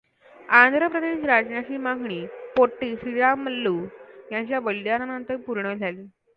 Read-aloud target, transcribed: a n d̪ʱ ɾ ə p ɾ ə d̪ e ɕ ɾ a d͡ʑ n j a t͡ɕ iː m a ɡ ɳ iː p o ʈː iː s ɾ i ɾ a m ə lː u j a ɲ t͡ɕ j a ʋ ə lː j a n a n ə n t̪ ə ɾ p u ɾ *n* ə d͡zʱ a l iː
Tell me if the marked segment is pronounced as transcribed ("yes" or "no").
no